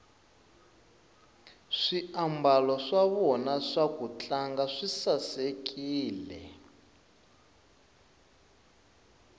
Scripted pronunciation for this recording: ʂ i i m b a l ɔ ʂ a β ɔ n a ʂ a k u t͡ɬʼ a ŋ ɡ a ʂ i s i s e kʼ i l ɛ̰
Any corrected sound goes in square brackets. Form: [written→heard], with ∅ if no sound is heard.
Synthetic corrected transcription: ʂ i [i→a] m b a l ɔ ʂ a β ɔ n a ʂ a k u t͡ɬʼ a ŋ ɡ a ʂ i s [i→a] s e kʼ [i→iː] l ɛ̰